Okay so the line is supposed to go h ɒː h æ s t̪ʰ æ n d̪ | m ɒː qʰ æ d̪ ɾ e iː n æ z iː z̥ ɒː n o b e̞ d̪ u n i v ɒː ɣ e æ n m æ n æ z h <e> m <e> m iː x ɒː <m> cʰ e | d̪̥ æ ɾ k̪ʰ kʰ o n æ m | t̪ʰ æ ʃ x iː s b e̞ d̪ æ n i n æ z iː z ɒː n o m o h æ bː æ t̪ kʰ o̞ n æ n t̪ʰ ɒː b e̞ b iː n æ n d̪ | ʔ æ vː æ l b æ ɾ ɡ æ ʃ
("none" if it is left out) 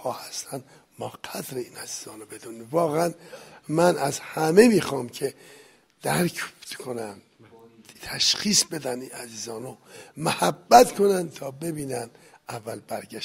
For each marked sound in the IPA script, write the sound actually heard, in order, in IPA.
æ, e, m

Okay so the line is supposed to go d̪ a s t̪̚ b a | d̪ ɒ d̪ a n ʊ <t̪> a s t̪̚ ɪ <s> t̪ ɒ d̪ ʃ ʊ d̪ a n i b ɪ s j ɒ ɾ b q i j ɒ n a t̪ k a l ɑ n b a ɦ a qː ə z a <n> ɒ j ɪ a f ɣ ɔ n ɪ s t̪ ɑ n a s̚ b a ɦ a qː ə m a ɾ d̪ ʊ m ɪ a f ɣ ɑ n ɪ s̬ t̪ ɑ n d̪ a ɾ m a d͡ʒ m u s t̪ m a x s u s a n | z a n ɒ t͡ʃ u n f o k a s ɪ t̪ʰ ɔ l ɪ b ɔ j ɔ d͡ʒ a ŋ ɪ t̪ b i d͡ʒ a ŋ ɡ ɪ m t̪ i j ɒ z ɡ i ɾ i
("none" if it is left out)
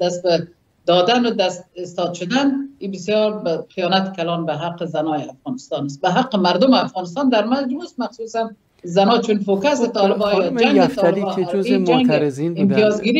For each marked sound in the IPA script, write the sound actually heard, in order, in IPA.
d̪, s, n

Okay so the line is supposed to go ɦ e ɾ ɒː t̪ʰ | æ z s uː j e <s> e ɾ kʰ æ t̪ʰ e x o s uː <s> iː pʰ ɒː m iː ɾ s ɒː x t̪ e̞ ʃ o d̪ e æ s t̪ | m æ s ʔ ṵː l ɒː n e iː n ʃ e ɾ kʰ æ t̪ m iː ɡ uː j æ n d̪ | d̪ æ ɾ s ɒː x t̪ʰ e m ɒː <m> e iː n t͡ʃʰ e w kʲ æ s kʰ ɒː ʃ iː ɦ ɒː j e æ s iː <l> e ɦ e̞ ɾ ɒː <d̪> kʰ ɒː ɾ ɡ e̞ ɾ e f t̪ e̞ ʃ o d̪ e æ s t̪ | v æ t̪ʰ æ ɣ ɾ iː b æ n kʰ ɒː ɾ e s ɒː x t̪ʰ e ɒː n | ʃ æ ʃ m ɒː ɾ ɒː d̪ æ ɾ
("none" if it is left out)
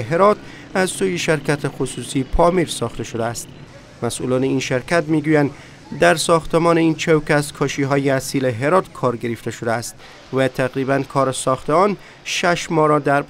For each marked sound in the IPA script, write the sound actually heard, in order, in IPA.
ʃ, s, n, l, t̪

